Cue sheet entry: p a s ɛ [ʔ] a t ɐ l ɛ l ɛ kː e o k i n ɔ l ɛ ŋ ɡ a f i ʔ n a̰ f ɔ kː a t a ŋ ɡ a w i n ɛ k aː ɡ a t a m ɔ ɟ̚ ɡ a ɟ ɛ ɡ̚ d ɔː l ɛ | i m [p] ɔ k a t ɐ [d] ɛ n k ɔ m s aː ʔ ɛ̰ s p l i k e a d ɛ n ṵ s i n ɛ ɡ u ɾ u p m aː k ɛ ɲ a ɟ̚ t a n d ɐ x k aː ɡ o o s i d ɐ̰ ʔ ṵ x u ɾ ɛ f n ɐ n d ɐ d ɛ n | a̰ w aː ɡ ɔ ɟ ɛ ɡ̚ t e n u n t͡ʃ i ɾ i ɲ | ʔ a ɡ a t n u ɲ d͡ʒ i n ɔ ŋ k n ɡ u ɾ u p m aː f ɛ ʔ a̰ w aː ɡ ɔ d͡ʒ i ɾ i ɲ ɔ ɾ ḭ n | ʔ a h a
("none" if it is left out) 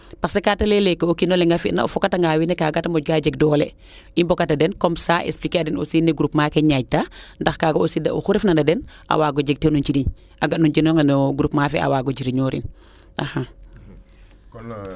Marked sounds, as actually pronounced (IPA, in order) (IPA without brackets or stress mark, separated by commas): k, b, d